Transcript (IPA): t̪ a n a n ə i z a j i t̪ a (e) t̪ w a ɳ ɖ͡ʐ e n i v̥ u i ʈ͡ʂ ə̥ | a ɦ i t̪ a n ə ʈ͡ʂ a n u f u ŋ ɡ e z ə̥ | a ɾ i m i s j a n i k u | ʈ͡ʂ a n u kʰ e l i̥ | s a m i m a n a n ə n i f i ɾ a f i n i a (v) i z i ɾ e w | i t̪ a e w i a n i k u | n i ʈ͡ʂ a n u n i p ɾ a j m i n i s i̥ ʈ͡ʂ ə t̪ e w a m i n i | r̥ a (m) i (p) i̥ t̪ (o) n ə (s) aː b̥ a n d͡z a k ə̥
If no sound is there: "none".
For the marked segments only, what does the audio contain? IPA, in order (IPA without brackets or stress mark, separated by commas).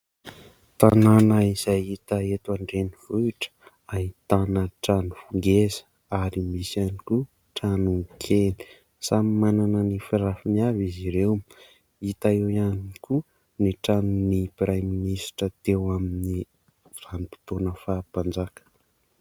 e, v, n, p, o, f